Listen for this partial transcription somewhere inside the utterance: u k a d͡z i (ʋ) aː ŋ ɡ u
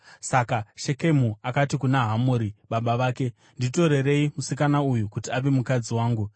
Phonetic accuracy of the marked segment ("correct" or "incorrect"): incorrect